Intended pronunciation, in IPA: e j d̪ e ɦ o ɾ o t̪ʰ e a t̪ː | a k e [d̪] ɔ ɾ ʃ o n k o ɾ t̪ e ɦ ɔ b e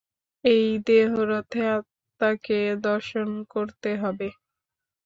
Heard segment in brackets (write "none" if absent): d̪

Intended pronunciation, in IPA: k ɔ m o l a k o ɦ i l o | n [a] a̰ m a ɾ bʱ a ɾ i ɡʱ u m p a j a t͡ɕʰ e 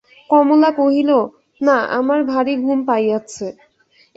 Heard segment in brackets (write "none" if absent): a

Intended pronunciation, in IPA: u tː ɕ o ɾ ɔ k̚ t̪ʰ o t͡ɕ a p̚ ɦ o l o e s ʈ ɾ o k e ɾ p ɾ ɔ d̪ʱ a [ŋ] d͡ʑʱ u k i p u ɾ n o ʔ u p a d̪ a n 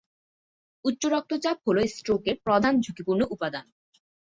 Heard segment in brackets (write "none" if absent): n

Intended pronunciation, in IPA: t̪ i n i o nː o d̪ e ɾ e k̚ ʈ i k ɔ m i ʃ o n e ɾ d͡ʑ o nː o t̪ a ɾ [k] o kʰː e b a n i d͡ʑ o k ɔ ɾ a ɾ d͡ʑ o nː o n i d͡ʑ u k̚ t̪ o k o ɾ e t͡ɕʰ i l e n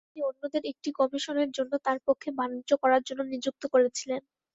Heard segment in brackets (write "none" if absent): p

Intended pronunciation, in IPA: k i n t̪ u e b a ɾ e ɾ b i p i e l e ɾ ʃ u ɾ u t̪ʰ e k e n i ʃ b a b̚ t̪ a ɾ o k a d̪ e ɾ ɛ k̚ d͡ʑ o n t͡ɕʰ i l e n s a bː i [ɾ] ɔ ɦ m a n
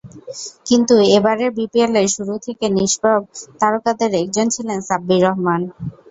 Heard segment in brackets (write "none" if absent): ɾ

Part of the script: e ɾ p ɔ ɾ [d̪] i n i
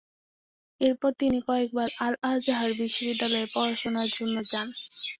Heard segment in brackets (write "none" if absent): t̪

